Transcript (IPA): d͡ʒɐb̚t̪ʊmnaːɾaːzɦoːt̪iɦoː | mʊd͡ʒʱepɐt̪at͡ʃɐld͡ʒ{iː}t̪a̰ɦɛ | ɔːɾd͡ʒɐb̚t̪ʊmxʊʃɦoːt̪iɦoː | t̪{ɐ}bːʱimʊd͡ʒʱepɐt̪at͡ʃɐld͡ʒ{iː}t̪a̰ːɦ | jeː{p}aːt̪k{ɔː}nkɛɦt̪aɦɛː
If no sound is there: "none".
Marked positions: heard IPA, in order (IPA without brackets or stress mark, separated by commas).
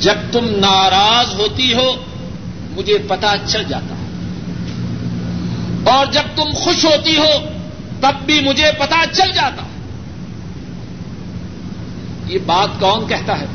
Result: aː, ɐ, aː, b, ɔː